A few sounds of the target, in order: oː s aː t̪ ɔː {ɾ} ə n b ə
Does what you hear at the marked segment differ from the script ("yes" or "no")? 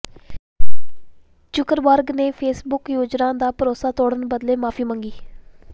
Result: yes